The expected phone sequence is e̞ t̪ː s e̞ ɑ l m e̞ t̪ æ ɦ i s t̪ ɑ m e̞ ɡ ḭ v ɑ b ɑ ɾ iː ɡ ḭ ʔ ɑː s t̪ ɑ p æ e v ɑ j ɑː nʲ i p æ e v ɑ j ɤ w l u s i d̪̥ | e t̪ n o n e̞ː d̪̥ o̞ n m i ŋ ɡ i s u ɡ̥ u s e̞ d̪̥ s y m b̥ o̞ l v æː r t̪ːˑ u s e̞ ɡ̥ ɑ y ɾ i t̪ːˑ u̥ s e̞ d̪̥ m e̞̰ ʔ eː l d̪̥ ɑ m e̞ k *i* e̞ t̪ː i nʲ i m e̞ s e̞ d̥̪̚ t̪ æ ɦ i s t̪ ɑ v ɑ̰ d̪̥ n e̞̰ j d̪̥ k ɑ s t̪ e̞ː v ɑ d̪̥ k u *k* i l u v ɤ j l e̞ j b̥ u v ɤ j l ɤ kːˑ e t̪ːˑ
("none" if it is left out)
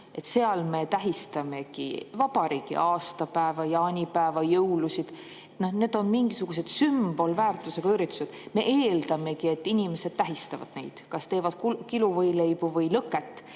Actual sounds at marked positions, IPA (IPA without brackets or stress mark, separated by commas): i, k